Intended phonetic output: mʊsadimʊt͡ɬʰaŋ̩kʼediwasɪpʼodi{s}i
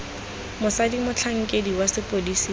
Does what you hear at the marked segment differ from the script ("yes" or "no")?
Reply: no